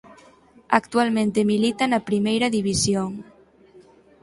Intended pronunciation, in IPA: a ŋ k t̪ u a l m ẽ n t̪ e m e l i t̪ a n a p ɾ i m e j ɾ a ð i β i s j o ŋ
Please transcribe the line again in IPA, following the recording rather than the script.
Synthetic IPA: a k t̪ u a l m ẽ n t̪ e m i l i t̪ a n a p ɾ i m e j ɾ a ð i β i s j o ŋ